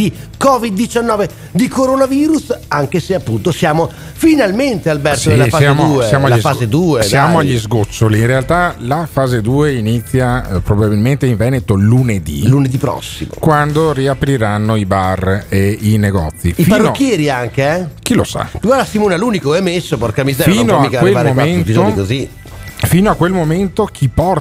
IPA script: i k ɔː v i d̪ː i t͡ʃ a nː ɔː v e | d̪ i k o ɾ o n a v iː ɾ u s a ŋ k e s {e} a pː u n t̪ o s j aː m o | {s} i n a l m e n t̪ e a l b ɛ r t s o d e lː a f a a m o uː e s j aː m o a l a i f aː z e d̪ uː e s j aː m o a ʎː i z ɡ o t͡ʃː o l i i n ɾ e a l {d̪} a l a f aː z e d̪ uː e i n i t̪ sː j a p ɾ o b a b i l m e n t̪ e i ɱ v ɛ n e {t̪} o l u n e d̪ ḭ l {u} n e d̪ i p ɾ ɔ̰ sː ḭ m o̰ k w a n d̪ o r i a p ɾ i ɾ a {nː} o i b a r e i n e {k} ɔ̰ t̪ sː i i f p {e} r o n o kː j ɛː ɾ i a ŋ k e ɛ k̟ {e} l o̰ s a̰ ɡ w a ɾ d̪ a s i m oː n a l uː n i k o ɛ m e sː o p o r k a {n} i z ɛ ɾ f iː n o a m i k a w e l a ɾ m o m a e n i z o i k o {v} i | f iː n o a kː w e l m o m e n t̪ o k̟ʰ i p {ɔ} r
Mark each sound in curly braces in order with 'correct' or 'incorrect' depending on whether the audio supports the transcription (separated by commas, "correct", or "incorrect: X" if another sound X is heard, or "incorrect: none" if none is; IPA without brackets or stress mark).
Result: correct, incorrect: f, incorrect: t̪, correct, correct, correct, incorrect: ɡ, incorrect: a, incorrect: i, incorrect: m, incorrect: z, correct